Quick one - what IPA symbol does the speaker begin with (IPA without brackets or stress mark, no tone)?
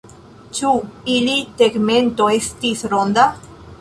t͡ʃ